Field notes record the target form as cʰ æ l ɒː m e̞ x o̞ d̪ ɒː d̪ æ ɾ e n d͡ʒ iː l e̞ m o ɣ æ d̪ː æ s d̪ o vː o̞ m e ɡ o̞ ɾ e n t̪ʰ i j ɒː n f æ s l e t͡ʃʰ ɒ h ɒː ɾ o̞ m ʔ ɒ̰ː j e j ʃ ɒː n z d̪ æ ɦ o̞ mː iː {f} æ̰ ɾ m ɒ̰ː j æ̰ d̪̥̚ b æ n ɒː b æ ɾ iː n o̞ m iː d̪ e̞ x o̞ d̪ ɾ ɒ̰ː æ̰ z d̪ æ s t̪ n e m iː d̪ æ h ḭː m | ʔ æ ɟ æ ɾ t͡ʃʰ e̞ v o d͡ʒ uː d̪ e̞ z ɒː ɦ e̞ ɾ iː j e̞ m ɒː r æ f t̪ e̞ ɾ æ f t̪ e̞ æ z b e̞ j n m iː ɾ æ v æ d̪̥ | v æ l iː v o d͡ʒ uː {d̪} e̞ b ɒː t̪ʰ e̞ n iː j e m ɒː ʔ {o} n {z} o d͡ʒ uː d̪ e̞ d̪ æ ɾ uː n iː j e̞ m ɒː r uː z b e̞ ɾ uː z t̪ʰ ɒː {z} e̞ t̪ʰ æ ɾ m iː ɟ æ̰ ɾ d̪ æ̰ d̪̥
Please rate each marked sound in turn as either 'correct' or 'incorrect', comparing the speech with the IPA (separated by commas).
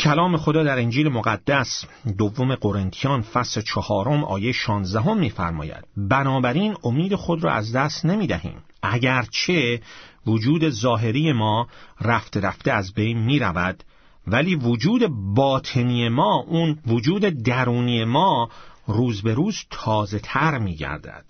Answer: correct, correct, incorrect, incorrect, correct